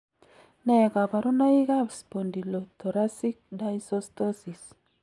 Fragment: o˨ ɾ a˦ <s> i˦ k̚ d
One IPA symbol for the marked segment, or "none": s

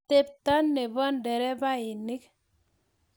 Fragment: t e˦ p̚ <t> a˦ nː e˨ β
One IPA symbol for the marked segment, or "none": t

